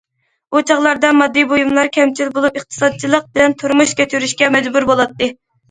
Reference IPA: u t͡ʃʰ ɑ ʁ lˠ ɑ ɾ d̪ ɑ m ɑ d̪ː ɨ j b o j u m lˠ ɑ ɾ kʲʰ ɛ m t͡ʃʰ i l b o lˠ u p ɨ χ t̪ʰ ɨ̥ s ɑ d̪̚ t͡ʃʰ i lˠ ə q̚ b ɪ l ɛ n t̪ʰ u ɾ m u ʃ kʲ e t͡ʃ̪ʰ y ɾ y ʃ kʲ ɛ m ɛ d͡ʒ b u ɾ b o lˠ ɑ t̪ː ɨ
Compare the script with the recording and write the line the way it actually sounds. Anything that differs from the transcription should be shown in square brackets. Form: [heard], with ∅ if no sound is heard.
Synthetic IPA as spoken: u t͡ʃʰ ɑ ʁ lˠ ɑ ɾ d̪ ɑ m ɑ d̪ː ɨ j b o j u m lˠ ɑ ɾ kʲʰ ɛ m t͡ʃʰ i l b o lˠ u p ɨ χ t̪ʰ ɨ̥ s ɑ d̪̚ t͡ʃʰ i lˠ ə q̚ b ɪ l ɛ n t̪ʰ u ɾ m u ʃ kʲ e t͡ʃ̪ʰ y ɾ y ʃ kʲ ɛ m ɛ d͡ʒ b u ɾ b o lˠ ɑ t̪ː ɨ